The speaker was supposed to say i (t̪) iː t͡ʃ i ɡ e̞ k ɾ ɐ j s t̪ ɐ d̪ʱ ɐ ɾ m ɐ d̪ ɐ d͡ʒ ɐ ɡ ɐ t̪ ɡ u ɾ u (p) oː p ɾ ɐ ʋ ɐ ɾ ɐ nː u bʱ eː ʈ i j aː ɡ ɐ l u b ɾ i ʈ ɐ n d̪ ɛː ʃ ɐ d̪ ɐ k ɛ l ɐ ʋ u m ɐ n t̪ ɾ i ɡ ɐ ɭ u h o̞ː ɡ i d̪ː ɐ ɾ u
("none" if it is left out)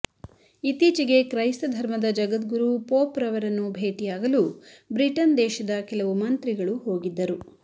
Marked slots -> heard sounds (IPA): t̪, p

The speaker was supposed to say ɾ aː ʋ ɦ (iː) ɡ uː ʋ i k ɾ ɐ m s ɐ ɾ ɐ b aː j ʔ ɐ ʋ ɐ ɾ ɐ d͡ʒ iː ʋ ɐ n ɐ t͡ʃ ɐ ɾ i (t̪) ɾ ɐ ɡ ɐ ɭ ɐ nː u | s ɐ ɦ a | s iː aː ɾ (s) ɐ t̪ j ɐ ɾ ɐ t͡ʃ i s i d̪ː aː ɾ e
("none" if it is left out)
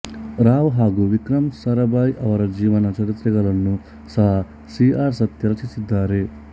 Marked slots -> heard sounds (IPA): aː, t̪, s

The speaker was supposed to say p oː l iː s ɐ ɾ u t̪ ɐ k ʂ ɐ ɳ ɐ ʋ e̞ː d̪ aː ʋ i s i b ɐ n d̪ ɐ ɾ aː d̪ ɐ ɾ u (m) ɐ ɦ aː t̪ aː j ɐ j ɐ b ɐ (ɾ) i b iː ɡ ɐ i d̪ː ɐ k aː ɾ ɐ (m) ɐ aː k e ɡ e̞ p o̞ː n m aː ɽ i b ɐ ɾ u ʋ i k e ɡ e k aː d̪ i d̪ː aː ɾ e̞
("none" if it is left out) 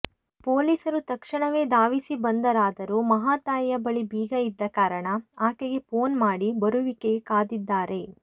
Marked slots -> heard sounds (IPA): m, ɭ, ɳ

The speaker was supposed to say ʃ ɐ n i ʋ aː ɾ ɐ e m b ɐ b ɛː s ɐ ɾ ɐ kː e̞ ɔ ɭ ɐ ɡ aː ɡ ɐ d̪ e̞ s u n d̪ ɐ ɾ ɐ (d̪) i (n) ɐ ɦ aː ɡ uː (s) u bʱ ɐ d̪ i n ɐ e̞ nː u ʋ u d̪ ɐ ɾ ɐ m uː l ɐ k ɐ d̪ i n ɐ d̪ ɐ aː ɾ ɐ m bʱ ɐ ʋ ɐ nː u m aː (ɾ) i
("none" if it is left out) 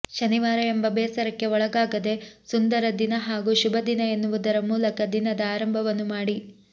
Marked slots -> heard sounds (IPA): d̪, n, ʃ, ɽ

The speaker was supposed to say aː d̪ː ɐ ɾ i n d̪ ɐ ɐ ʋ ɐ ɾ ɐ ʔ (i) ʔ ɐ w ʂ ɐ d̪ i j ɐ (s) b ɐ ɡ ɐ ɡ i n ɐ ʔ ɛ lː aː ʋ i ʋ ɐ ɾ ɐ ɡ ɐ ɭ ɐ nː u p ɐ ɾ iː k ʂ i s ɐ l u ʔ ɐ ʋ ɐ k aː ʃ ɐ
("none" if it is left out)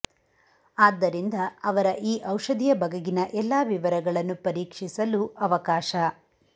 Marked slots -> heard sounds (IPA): iː, none

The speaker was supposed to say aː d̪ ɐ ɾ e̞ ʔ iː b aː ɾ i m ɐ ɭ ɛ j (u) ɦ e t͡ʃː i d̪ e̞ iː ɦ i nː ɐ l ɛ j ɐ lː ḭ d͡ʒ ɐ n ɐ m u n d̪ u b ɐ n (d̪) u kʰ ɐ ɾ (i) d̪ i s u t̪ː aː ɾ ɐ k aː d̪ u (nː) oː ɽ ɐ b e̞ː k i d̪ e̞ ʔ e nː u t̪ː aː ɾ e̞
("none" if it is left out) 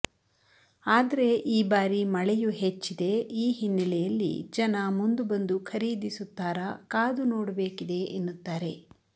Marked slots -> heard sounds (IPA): u, d̪, iː, n

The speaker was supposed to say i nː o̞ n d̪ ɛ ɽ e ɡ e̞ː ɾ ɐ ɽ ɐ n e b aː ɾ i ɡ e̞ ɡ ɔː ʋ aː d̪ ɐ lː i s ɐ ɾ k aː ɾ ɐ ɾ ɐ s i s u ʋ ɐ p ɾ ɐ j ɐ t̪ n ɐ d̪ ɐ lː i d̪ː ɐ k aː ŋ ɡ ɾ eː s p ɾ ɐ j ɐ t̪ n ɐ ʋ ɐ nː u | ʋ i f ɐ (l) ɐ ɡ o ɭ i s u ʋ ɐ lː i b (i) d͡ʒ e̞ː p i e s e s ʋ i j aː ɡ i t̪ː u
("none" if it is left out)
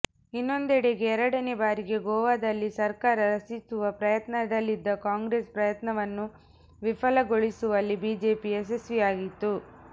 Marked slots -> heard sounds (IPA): l, iː

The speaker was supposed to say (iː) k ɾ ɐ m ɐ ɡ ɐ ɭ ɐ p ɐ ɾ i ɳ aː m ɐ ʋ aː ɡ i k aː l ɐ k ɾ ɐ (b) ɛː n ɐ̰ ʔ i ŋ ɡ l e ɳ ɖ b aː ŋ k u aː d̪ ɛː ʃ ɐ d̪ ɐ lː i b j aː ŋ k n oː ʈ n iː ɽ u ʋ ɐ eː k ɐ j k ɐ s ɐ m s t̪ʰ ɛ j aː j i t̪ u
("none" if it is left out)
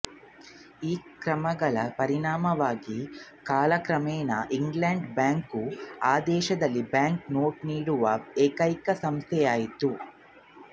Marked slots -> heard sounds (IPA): iː, m

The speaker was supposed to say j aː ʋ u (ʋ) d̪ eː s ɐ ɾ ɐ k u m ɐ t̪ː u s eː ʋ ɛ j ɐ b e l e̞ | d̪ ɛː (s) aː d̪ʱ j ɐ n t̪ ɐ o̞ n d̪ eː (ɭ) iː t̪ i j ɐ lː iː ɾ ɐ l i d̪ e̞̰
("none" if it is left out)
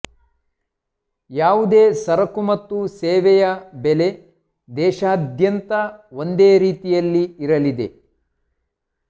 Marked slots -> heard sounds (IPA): none, ʃ, ɾ

